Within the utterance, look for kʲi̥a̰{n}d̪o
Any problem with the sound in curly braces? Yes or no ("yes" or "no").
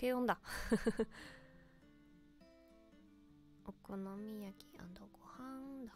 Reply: no